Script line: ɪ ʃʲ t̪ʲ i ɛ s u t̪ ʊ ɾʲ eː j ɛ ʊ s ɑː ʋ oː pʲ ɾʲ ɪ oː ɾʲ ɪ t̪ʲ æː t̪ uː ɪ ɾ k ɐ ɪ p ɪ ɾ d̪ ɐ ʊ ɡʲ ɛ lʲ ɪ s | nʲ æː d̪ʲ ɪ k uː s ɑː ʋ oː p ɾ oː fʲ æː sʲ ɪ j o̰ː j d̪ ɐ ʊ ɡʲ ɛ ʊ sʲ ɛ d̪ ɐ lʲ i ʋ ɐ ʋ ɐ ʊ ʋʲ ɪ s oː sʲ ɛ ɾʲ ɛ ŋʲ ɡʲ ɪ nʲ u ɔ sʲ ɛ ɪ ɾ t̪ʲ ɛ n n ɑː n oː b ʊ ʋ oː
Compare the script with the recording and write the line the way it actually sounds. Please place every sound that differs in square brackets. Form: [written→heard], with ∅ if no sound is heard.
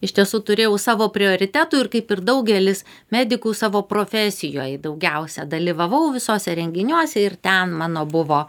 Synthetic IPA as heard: ɪ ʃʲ t̪ʲ i ɛ s u t̪ ʊ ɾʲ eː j ɛ ʊ s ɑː ʋ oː pʲ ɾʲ ɪ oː ɾʲ ɪ t̪ʲ æː t̪ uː ɪ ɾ k ɐ ɪ p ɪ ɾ d̪ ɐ ʊ ɡʲ ɛ lʲ ɪ s | [nʲ→mʲ] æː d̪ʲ ɪ k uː s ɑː ʋ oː p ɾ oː fʲ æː sʲ ɪ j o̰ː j d̪ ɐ ʊ ɡʲ ɛ ʊ sʲ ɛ d̪ ɐ lʲ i ʋ ɐ ʋ ɐ ʊ ʋʲ ɪ s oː sʲ ɛ ɾʲ ɛ ŋʲ ɡʲ ɪ nʲ u ɔ sʲ ɛ ɪ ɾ t̪ʲ ɛ n [n→m] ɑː n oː b ʊ ʋ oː